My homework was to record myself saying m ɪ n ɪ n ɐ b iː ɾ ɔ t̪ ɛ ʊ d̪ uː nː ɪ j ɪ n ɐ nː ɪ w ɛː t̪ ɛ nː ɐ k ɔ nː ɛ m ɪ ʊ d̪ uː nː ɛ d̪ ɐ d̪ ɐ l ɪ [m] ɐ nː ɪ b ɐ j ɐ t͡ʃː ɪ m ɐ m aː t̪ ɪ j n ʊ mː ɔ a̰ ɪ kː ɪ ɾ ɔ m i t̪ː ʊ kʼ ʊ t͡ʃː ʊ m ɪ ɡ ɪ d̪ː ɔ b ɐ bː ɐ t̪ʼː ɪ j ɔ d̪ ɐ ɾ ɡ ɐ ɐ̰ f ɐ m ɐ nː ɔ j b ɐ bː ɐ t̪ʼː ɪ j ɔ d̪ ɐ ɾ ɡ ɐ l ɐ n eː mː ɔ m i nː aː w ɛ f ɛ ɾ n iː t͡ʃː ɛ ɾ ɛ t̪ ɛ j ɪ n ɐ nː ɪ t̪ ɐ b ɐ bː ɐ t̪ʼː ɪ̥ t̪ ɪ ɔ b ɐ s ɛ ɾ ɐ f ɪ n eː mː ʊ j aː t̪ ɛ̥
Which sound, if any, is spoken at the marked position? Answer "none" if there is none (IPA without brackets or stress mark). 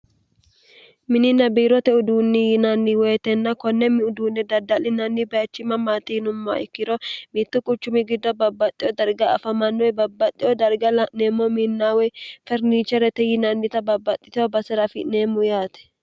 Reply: n